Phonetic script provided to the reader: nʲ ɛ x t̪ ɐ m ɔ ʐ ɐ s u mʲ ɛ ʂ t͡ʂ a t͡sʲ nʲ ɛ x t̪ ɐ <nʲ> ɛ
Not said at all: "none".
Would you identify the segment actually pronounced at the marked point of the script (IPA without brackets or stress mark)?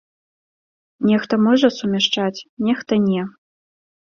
nʲ